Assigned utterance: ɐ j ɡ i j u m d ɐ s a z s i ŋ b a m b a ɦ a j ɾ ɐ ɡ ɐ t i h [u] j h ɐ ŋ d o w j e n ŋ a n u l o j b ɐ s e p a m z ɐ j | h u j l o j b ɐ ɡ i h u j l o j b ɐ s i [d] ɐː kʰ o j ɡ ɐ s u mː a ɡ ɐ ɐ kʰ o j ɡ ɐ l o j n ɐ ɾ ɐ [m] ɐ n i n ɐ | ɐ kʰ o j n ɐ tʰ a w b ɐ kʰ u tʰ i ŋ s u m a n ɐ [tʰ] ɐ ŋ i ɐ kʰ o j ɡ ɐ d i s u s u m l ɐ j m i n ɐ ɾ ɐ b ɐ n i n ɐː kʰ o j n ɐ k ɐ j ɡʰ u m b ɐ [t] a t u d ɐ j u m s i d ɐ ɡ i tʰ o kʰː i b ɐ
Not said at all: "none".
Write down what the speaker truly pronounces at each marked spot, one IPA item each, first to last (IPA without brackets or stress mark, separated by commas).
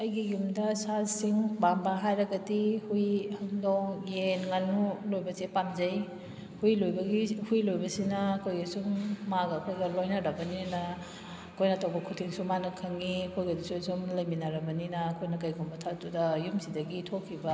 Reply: u, n, b, kʰ, tʰ